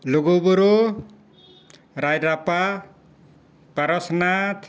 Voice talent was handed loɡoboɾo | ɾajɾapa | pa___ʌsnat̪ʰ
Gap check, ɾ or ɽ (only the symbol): ɾ